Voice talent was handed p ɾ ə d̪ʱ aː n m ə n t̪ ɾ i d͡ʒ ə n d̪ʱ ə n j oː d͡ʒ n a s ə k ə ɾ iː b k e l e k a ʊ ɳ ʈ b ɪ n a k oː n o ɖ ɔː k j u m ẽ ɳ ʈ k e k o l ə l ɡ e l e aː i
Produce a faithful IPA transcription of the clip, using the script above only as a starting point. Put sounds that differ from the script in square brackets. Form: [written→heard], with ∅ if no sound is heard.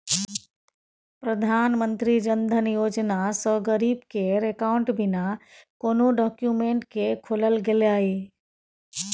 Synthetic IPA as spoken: p ɾ ə d̪ʱ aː n m ə n t̪ ɾ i d͡ʒ ə n d̪ʱ ə n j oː d͡ʒ n a s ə [k→ɡ] ə ɾ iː b k e [l→ɾ] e k a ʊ ɳ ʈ b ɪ n a k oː n o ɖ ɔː k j u m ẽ ɳ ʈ k e [k→kʰ] o l ə l ɡ e l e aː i